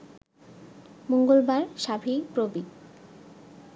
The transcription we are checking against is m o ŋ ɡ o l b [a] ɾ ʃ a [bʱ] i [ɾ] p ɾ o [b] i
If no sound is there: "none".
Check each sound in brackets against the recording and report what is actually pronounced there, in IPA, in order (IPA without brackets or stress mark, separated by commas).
a, bʱ, none, b